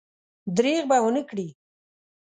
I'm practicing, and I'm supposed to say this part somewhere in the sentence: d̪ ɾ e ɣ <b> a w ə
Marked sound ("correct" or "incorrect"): correct